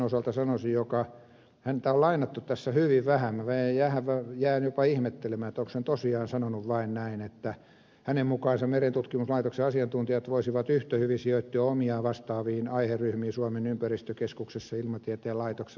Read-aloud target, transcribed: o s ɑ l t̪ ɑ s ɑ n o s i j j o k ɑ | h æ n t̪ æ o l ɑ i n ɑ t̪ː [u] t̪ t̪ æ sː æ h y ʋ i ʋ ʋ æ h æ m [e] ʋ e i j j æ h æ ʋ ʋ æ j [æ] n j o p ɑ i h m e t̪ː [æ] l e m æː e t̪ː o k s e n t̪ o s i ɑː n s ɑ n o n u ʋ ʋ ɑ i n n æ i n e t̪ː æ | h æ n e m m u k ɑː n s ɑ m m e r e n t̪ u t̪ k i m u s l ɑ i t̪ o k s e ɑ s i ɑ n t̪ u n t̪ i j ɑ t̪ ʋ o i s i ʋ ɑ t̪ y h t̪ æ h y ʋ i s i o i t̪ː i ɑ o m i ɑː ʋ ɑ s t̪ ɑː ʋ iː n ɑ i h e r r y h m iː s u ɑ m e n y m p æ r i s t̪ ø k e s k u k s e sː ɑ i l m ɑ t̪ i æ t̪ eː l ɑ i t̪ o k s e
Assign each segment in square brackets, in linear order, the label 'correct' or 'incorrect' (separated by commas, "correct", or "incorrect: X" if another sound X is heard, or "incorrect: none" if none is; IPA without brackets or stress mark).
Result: correct, incorrect: æ, incorrect: æː, incorrect: e